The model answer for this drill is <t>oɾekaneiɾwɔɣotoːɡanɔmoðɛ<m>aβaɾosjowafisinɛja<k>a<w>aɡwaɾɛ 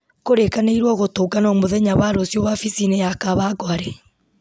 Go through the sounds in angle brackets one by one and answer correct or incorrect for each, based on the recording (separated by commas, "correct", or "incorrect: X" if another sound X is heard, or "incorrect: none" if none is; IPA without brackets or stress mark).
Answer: incorrect: k, incorrect: ɲ, correct, incorrect: β